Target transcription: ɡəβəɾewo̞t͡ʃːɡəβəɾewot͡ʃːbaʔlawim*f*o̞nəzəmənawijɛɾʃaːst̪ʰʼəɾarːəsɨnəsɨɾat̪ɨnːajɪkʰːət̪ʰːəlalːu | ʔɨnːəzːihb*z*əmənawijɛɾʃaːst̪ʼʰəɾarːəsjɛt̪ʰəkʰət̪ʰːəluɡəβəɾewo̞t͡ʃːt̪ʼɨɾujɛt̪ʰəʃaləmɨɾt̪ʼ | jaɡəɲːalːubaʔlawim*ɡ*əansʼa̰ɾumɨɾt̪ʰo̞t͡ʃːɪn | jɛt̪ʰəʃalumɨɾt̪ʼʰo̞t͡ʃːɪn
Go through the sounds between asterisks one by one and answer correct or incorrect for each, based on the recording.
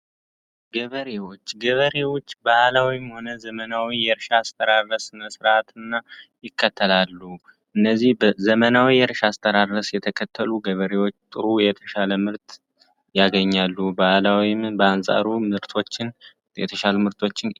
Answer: incorrect: h, correct, incorrect: b

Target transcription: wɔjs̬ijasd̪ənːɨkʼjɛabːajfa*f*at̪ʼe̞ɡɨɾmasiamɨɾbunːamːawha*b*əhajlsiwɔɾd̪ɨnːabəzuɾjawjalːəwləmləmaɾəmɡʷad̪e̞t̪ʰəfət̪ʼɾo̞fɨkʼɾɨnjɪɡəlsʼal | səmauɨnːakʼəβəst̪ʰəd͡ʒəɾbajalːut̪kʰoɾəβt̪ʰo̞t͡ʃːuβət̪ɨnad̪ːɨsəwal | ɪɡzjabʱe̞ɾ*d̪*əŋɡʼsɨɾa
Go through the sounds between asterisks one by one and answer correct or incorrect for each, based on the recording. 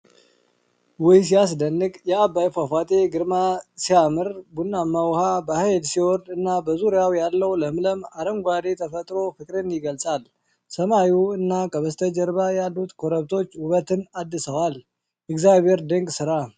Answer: correct, correct, correct

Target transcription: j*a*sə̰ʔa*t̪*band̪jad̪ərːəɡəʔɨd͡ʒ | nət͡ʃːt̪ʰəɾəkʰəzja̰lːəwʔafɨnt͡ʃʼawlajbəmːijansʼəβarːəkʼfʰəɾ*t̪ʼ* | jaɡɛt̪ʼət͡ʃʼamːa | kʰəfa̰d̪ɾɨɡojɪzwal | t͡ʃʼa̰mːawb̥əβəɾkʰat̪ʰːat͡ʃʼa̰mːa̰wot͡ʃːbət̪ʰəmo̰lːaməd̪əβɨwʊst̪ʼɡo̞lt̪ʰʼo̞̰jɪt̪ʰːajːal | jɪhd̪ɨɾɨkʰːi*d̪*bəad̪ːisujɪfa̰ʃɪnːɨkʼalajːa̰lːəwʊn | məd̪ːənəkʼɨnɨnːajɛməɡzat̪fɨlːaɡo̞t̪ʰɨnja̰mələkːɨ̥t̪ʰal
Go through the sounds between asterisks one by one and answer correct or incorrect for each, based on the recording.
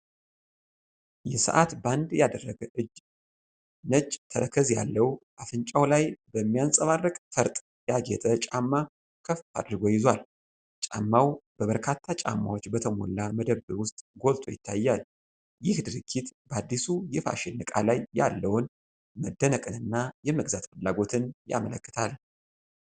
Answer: incorrect: ɛ, correct, correct, incorrect: t̪

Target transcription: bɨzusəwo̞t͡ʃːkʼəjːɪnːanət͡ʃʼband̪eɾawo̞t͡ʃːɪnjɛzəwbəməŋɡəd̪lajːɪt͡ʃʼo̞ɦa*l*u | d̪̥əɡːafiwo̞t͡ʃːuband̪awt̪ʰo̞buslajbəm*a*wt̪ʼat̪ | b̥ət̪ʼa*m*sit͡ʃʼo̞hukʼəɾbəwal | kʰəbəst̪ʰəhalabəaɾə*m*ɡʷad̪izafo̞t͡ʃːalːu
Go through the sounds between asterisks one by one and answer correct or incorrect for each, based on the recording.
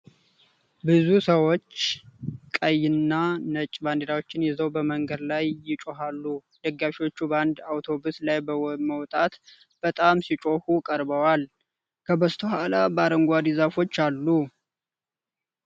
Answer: incorrect: lː, incorrect: ə, correct, incorrect: ŋ

